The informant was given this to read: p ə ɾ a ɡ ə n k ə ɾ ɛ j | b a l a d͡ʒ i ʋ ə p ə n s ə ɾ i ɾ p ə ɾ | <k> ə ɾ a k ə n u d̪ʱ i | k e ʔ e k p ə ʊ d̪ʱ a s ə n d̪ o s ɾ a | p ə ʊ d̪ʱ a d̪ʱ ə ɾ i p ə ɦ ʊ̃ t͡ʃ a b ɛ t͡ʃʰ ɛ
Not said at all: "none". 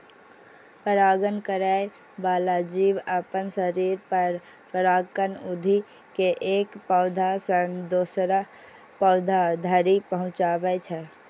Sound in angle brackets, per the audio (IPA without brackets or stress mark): p